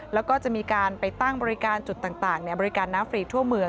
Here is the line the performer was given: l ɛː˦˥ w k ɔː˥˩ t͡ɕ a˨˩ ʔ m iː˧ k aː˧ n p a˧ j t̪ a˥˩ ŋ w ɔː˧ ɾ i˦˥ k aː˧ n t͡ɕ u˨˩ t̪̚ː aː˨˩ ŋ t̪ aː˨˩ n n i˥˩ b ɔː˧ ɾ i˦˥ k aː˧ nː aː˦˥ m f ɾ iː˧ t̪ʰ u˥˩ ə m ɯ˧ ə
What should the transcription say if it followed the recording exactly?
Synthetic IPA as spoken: l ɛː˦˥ w k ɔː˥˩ t͡ɕ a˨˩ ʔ m iː˧ k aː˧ n p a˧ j t̪ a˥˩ ŋ b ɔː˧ ɾ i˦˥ k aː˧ n t͡ɕ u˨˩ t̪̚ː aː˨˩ ŋ t̪ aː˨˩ ŋ n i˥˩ b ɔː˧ ɾ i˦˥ k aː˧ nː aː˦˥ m f ɾ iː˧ t̪ʰ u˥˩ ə m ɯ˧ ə